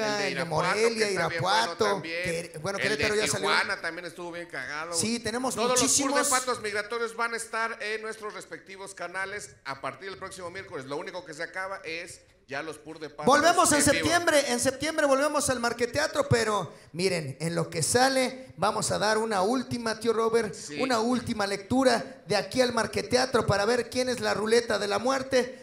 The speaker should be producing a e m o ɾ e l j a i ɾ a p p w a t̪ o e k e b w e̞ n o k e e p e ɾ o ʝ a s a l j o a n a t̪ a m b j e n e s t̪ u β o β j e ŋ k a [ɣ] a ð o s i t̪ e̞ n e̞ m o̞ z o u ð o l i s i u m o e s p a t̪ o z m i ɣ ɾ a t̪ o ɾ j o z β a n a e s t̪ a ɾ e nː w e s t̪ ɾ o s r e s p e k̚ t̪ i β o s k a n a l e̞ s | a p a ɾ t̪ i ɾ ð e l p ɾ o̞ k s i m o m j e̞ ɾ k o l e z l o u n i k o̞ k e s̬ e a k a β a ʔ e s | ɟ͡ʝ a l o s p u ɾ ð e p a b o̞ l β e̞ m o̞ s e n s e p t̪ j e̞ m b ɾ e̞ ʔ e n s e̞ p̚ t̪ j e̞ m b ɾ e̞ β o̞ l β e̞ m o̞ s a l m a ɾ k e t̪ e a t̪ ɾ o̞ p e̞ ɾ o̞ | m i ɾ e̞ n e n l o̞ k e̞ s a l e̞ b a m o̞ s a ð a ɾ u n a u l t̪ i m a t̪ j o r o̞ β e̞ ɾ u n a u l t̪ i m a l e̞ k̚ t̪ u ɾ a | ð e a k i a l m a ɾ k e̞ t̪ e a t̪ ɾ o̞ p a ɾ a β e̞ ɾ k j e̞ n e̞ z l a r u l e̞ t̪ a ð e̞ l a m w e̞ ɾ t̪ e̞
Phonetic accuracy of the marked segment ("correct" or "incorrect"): correct